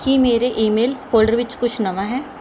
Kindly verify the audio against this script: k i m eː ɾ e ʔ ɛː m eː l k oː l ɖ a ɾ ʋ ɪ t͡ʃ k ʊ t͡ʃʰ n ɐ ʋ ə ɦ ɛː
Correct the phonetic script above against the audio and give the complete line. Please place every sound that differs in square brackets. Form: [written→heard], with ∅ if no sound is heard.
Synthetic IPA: k i m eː ɾ e ʔ [ɛː→iː] m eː l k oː l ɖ [a→ə] ɾ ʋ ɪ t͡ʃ k ʊ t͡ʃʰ n ɐ ʋ [ə→a] ɦ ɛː